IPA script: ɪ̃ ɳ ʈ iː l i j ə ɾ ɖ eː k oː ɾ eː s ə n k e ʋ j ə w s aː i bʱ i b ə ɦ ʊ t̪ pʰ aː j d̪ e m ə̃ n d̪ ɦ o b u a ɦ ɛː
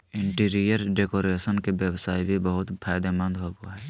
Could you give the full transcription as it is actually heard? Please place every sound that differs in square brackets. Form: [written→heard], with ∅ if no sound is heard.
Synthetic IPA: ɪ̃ ɳ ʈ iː [l→ɾ] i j ə ɾ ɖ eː k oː ɾ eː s ə n k e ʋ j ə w s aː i bʱ i b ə ɦ ʊ t̪ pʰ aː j d̪ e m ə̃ n d̪ ɦ o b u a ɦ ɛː